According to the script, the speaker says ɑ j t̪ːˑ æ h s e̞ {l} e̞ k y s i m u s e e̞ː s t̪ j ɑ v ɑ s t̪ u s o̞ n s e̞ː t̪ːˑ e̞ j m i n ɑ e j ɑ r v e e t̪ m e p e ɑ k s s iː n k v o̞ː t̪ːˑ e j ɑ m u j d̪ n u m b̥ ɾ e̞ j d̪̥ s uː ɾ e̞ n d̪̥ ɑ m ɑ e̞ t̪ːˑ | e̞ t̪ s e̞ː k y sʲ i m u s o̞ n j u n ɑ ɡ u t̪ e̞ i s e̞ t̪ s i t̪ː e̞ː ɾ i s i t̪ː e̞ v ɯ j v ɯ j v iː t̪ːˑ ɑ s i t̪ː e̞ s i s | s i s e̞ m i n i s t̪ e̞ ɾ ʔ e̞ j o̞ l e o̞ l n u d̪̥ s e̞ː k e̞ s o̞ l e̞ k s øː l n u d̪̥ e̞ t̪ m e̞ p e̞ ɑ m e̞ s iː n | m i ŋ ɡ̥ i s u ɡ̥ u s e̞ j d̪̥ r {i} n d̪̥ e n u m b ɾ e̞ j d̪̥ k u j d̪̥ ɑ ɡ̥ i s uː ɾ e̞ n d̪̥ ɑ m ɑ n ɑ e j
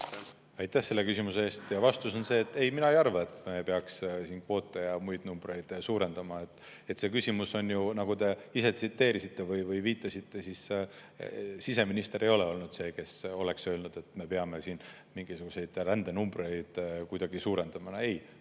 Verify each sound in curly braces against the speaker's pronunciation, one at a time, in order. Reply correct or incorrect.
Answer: incorrect: lː, incorrect: æ

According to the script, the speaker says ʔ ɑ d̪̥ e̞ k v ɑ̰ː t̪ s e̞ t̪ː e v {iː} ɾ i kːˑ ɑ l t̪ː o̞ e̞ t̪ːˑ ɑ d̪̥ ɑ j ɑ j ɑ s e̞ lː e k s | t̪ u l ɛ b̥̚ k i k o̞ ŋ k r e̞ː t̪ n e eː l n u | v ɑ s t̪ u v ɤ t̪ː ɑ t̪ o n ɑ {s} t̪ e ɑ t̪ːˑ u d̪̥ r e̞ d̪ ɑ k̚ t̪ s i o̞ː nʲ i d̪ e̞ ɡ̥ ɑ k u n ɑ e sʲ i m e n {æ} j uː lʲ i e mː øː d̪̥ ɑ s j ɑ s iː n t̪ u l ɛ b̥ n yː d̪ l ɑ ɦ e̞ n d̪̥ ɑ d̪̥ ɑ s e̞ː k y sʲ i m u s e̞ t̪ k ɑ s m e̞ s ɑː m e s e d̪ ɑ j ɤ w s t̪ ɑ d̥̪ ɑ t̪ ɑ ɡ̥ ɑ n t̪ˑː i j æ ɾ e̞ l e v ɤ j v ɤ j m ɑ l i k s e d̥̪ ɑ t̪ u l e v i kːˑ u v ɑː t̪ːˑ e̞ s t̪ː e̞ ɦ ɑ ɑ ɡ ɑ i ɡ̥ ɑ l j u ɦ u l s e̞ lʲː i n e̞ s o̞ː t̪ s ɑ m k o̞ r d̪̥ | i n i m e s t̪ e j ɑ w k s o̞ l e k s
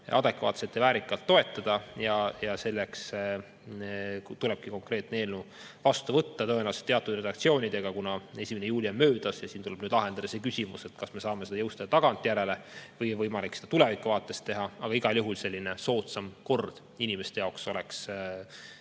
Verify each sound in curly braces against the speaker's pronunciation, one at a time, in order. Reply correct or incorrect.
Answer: incorrect: æː, correct, incorrect: e

